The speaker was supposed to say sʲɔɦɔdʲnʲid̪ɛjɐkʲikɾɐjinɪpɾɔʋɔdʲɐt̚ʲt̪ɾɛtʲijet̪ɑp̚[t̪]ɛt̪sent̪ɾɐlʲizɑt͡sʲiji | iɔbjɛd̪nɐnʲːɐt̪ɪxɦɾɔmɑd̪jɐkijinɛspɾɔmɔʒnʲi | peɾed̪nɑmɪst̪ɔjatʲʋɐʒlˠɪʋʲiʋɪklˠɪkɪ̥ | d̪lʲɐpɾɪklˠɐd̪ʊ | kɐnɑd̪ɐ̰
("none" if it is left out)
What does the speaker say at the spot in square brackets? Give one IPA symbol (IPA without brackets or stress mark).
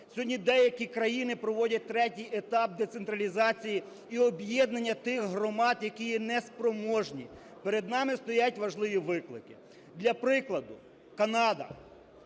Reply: d̪